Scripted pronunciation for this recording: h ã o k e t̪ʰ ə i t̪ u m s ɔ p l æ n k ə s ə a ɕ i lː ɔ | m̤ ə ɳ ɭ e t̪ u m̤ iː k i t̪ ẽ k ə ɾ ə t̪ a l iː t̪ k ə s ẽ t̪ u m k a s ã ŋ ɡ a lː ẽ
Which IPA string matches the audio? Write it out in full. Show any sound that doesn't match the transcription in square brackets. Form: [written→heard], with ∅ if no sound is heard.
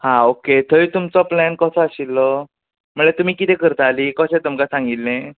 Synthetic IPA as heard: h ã o k e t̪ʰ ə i t̪ u m [s→t͡s] ɔ p l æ n k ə s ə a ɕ i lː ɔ | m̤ ə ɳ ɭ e t̪ u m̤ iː k i t̪ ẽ k ə ɾ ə t̪ a l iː [t̪→∅] k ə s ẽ t̪ u m k a s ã ŋ ɡ [a→i] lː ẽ